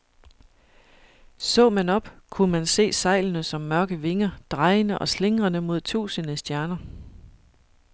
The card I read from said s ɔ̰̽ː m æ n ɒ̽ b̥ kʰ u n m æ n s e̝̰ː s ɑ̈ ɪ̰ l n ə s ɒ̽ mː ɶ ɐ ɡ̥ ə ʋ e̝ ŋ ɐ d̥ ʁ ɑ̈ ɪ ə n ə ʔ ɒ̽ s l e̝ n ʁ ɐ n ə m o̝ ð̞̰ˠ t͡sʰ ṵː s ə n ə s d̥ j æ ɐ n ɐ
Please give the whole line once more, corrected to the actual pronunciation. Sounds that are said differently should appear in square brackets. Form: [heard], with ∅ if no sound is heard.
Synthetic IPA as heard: s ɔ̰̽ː m æ n ɒ̽ b̥ kʰ u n m æ n s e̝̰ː s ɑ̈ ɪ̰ l n ə s ɒ̽ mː ɶ ɐ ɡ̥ ə ʋ e̝ ŋ ɐ d̥ ʁ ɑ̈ ɪ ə n ə ʔ ɒ̽ s l e̝ [ŋ] ʁ ɐ n ə m o̝ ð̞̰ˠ t͡sʰ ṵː s ə n ə s d̥ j æ ɐ n ɐ